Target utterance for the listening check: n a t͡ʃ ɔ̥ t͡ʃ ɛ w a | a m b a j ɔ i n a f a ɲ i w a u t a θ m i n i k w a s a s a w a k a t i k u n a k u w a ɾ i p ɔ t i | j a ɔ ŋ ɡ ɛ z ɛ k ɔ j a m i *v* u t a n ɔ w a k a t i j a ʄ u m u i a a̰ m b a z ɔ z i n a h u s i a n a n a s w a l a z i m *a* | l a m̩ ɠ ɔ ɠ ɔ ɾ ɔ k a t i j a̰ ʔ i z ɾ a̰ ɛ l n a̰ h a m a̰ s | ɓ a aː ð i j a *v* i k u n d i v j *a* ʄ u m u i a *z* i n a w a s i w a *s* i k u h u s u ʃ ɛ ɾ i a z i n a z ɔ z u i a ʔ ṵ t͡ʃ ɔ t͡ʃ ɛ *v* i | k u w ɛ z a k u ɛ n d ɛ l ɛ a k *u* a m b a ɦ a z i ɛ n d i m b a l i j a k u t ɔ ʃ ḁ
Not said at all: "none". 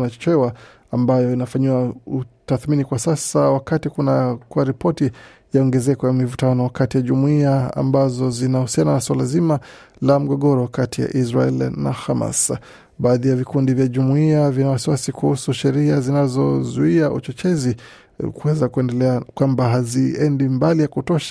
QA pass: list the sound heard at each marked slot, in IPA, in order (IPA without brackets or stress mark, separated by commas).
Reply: v, a, v, a, v, s, z, w